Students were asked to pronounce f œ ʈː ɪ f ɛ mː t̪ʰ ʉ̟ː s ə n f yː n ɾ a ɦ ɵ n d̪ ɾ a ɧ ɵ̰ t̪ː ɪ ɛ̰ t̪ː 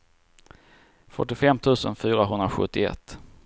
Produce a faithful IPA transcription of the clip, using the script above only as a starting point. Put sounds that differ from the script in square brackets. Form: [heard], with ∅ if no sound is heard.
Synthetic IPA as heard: f œ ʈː ɪ f ɛ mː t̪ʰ ʉ̟ː s ə n f yː [∅] ɾ a ɦ ɵ n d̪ ɾ a ɧ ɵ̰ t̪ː ɪ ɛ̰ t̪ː